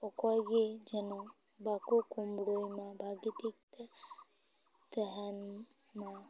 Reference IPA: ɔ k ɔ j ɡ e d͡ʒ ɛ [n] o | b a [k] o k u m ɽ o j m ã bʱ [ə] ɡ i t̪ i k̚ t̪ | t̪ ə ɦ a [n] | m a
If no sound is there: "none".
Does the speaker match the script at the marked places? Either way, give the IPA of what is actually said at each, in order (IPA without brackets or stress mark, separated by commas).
n, k, a, n